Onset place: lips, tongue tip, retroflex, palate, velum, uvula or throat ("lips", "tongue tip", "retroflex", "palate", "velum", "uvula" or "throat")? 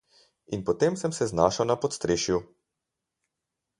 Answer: tongue tip